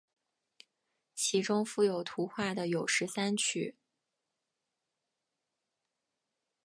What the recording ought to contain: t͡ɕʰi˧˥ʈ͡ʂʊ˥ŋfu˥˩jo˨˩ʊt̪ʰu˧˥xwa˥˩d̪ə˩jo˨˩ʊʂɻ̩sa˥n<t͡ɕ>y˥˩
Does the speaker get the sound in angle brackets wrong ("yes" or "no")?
yes